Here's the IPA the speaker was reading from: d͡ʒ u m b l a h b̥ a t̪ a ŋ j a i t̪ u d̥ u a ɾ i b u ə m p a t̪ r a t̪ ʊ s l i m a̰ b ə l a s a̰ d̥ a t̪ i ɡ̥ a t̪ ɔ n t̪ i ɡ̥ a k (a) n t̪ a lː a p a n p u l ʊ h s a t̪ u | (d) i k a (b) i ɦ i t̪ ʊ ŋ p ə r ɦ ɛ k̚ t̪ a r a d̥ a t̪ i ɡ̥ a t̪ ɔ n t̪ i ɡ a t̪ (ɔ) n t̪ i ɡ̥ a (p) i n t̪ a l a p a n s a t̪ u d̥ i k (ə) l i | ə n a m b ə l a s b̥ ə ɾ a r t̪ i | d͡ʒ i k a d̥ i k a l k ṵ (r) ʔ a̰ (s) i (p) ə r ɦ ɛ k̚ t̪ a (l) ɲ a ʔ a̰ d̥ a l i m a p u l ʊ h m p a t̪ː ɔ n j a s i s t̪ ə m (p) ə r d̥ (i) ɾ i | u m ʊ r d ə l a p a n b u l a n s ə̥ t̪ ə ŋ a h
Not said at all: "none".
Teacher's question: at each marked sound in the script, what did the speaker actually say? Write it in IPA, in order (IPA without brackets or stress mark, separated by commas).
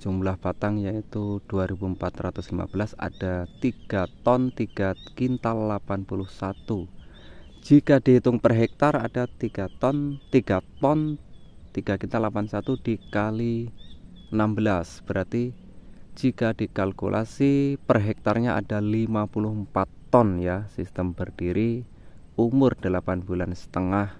i, d͡ʒ, d, ɔ, k, a, l, s, p, r, b, i